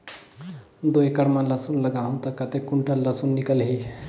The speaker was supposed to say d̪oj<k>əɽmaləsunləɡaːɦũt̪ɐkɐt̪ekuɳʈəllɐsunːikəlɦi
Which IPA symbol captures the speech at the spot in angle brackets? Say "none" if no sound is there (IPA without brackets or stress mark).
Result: k